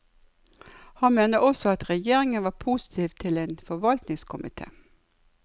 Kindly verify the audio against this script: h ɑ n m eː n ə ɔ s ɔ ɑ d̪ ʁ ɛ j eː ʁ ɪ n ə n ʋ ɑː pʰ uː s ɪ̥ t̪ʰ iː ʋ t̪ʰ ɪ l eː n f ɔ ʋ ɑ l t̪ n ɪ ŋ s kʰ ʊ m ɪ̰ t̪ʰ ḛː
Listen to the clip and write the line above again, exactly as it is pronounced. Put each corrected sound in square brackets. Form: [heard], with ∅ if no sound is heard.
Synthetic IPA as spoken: h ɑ n m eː n ə ɔ s ɔ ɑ [t̪] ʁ ɛ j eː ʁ ɪ [ŋ] ə n ʋ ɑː pʰ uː s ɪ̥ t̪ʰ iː ʋ t̪ʰ ɪ l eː n f ɔ ʋ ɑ l t̪ n ɪ ŋ s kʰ ʊ m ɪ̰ t̪ʰ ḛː